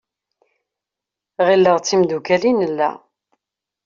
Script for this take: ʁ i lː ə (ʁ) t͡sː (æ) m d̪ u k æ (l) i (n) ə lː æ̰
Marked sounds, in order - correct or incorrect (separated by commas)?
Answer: correct, incorrect, correct, correct